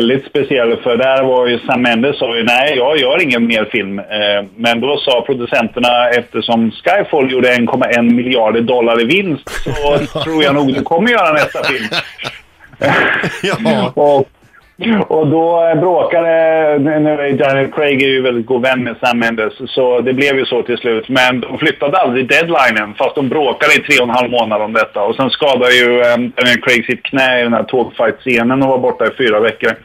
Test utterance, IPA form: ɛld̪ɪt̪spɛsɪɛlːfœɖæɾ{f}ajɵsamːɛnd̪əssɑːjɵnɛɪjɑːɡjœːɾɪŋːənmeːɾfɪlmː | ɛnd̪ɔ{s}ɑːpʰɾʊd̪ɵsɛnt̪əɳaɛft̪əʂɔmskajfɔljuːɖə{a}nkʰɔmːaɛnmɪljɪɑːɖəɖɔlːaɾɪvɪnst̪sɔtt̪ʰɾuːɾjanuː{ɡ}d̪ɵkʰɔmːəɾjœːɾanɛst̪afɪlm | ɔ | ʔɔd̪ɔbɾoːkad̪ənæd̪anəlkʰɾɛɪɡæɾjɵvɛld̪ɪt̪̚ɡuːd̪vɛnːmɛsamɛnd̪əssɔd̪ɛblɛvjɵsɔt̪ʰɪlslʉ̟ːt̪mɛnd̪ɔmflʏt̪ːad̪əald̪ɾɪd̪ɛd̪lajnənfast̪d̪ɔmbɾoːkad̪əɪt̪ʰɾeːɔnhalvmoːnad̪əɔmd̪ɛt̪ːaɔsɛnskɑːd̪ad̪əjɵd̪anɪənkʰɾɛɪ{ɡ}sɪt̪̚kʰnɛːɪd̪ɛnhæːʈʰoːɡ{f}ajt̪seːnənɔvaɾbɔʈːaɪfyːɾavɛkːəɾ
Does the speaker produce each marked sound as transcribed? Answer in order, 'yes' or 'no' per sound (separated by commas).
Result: no, yes, no, yes, yes, yes